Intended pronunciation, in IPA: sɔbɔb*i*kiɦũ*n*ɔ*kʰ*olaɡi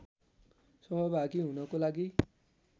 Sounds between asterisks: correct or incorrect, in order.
incorrect: a, correct, incorrect: k

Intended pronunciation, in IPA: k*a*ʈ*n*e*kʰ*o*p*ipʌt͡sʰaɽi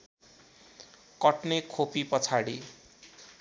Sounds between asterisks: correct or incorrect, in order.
incorrect: ʌ, correct, correct, correct

